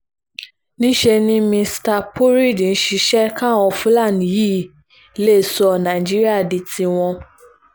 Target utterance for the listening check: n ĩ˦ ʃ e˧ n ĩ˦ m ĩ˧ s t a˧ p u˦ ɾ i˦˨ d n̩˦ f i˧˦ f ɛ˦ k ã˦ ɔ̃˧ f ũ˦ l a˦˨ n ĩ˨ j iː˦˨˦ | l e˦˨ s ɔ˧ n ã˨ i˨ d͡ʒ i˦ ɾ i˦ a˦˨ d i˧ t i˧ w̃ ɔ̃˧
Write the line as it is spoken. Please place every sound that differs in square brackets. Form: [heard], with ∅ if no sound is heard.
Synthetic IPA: n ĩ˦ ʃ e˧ n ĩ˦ m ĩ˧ s t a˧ p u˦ ɾ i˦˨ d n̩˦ [ʃ] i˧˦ [ʃ] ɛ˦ k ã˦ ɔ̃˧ f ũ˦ l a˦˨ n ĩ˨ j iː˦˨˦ | l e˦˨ s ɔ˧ n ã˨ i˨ d͡ʒ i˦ ɾ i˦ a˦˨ d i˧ t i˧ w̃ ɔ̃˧